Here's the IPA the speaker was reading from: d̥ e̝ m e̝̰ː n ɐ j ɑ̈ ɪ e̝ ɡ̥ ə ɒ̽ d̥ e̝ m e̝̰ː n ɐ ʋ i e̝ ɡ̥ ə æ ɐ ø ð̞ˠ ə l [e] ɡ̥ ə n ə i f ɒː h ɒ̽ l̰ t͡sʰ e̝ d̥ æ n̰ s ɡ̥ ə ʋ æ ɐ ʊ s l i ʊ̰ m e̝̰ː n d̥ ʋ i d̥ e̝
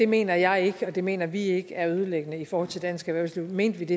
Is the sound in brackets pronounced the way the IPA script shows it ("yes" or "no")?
yes